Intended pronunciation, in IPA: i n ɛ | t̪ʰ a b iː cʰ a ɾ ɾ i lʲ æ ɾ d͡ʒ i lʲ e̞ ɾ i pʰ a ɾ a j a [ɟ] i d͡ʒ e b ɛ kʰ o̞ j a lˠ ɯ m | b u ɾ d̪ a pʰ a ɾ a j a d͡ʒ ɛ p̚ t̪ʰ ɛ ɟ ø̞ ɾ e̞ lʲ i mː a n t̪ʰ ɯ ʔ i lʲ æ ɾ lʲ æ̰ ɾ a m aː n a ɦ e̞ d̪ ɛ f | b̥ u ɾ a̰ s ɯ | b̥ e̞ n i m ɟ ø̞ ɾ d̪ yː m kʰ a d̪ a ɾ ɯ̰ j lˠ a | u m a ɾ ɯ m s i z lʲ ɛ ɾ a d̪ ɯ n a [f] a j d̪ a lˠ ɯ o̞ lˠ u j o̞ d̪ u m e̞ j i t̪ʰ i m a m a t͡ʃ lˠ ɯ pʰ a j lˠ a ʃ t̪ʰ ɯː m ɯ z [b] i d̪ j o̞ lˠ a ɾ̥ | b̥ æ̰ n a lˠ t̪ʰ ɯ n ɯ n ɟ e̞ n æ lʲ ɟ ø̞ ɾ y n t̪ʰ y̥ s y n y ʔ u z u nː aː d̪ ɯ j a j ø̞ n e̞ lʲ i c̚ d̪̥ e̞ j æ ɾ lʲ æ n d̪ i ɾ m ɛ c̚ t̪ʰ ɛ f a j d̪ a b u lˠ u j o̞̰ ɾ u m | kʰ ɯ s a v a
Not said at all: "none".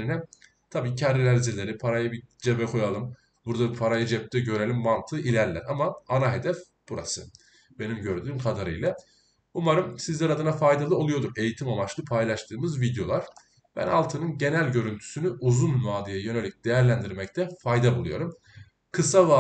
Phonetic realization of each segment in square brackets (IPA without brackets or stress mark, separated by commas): b, f, v